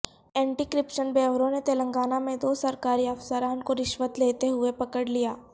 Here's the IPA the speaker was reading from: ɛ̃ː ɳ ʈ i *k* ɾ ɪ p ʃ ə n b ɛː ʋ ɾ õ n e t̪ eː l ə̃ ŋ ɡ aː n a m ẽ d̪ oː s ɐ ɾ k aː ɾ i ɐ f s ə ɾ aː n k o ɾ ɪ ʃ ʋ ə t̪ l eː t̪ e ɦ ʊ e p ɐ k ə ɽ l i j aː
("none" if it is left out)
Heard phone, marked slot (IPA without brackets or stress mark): k